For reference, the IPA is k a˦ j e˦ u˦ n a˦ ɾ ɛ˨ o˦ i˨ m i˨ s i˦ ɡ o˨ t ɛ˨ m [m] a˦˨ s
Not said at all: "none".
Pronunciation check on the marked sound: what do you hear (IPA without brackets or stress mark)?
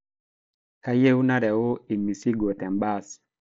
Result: b